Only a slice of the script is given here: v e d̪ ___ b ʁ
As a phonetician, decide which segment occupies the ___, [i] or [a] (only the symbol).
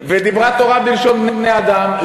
i